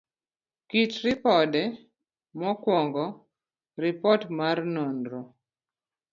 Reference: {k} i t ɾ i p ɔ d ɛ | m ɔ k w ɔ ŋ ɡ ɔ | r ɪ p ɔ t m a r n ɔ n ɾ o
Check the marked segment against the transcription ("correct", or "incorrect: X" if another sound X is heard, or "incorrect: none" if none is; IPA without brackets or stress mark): correct